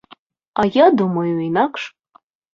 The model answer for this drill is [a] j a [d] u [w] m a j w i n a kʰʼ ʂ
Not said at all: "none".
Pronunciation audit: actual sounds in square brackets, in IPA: a, d, none

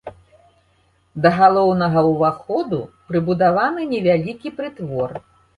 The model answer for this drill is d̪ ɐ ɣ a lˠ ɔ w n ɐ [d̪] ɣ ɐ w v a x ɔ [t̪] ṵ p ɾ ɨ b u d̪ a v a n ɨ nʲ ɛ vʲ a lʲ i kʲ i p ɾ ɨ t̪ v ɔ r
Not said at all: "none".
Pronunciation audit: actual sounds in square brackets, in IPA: none, d̪

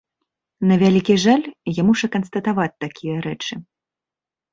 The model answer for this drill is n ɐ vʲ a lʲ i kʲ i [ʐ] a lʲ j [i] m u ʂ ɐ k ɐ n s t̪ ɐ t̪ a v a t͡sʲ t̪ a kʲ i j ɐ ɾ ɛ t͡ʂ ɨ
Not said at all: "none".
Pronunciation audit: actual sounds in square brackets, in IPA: ʐ, a

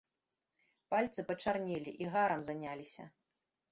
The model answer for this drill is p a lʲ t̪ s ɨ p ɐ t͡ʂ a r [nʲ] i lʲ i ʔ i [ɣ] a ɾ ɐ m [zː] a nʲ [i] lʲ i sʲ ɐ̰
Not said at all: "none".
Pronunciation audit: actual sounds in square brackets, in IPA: nʲ, ɣ, z, a

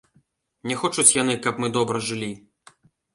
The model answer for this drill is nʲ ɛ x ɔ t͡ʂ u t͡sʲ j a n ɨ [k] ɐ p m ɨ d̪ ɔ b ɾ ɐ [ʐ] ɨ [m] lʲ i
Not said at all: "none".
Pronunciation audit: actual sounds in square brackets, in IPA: k, ʐ, none

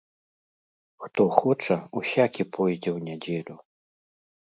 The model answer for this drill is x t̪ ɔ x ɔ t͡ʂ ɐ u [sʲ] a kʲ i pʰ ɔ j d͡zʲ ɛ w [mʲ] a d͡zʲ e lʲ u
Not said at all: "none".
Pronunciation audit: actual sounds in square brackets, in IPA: sʲ, nʲ

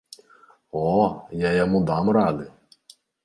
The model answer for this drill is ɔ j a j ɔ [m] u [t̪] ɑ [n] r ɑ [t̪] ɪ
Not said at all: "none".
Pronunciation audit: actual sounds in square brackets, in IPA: m, d̪, m, d̪

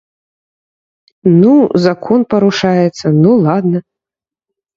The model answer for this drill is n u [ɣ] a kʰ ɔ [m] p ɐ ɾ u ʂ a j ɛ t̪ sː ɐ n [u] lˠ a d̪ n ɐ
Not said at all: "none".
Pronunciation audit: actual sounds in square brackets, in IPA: z, n, u

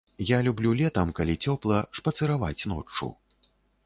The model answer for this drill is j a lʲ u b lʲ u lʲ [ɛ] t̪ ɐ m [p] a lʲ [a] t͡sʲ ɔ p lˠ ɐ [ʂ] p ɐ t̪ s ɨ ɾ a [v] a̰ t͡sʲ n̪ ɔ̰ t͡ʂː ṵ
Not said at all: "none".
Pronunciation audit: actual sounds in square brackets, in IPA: ɛ, k, i, ʂ, v

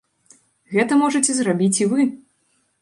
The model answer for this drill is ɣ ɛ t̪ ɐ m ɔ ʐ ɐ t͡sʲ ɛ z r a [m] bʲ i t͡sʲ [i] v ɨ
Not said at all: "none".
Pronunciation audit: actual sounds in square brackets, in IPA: none, i

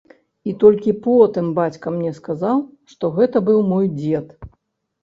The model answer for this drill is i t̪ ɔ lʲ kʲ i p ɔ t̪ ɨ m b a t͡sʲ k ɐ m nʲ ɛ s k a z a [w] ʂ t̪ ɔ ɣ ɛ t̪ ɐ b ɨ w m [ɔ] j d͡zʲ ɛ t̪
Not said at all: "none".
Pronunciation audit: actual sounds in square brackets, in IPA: w, ɔ

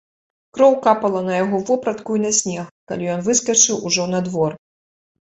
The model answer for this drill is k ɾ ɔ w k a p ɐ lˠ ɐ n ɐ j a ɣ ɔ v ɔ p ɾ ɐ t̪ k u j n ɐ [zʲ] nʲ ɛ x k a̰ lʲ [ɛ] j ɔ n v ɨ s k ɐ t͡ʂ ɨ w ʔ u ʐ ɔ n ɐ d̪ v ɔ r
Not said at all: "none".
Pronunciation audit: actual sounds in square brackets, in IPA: sʲ, i

